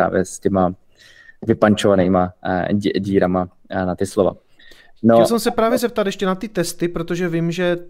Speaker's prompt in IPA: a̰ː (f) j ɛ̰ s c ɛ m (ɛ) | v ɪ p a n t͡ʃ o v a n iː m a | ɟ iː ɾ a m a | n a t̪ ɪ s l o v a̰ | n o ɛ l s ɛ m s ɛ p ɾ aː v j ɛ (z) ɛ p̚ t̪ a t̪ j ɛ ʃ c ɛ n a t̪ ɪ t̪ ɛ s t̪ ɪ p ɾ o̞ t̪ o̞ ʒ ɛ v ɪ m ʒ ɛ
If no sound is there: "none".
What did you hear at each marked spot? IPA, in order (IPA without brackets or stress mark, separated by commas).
v, a, z